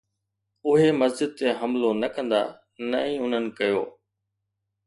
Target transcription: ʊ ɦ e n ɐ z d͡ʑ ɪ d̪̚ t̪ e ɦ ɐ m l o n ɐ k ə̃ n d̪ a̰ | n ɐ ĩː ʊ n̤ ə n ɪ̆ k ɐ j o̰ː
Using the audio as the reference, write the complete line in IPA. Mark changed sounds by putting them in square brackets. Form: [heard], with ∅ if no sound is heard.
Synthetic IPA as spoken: ʊ ɦ e [m] ɐ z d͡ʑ ɪ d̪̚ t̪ e ɦ ɐ m l o n ɐ k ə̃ n d̪ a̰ | n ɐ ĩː ʊ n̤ ə n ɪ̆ k ɐ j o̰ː